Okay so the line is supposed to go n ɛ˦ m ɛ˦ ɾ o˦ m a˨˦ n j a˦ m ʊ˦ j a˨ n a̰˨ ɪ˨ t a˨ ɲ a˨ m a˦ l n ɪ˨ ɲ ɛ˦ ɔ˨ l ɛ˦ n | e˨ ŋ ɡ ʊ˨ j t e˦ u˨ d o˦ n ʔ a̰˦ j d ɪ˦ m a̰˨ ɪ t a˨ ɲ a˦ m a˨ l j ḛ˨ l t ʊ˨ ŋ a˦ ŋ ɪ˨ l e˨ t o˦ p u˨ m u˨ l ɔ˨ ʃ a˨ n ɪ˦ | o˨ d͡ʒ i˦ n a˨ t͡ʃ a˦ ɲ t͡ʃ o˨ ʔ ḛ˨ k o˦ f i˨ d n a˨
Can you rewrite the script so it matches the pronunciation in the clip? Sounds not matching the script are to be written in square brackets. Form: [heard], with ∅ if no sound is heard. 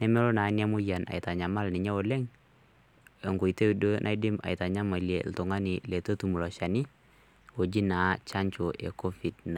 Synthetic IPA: n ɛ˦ m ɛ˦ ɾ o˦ [n] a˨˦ n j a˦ m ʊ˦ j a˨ n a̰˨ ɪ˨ t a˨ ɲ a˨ m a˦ l n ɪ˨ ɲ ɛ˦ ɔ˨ l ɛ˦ [ŋ] | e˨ ŋ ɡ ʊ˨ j t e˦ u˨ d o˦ n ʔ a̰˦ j d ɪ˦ m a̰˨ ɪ t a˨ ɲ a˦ m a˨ l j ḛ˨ l t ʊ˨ ŋ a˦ [n] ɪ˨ l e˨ t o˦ [t] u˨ m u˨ l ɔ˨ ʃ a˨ n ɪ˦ | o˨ d͡ʒ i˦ n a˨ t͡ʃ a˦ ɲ t͡ʃ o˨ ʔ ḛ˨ k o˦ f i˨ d n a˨

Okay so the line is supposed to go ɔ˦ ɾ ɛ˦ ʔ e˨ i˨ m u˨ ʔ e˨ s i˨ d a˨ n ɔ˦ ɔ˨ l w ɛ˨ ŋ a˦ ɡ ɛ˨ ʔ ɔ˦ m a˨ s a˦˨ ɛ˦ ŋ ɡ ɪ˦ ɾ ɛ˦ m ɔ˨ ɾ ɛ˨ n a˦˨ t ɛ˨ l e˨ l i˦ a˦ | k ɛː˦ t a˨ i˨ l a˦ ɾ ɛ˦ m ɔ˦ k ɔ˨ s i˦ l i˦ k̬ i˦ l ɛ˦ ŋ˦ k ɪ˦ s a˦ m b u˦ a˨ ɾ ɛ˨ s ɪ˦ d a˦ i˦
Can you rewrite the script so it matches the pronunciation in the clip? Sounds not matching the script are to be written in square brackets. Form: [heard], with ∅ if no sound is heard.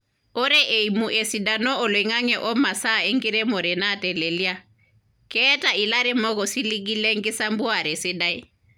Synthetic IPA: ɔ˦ ɾ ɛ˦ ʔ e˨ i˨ m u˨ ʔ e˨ s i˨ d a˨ n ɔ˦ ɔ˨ l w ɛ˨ ŋ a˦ [ŋ] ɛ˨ ʔ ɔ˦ m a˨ s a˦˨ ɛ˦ ŋ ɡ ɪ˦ ɾ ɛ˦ m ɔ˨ ɾ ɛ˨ n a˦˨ t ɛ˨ l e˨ l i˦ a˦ | k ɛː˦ t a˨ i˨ l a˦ ɾ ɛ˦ m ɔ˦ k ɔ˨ s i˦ l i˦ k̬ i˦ l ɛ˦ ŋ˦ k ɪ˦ s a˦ m b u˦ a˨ ɾ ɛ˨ s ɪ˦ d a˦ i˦

